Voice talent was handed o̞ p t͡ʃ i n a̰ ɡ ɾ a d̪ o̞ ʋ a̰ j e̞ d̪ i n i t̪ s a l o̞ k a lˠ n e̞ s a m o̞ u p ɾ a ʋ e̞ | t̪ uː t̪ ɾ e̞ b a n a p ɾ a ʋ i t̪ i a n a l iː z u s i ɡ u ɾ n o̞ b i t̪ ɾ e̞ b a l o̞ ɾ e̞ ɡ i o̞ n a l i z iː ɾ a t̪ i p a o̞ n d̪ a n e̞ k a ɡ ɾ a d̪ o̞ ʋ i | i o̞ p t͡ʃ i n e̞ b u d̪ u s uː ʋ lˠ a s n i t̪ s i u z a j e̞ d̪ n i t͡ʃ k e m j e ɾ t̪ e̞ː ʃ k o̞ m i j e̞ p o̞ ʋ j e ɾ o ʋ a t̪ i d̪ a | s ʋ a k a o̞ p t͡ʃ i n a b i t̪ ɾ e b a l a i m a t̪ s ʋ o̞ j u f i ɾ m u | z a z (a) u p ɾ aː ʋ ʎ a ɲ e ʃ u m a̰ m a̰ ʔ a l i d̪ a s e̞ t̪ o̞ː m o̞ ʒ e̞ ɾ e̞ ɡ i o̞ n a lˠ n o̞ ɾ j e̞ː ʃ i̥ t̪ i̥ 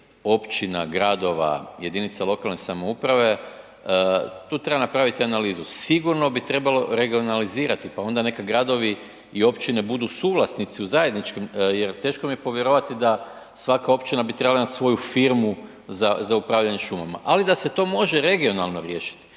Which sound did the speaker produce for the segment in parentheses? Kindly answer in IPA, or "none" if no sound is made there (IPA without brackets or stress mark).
a